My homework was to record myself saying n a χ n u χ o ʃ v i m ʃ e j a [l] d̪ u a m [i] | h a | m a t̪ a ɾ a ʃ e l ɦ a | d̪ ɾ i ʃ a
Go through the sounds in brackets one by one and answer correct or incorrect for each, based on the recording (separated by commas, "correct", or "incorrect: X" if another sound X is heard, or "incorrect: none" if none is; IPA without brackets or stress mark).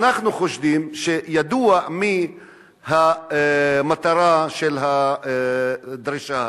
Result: incorrect: none, correct